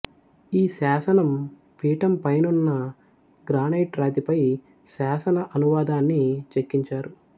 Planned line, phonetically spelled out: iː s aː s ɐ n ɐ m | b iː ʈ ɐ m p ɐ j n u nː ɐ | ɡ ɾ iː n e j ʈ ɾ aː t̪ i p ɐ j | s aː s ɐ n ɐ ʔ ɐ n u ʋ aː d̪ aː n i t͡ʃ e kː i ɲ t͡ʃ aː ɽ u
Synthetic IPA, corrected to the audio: iː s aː s ɐ n ɐ m | p iː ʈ ɐ m p ɐ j n u nː ɐ | ɡ ɾ aː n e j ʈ ɾ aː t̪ i p ɐ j | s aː s ɐ n ɐ ʔ ɐ n u ʋ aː d̪ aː nː i t͡ʃ e kː i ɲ t͡ʃ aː ɾ u